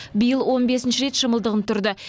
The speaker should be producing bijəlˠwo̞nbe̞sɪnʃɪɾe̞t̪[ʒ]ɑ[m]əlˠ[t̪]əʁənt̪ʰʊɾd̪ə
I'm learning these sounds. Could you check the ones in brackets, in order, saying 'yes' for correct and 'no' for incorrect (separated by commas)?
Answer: no, yes, no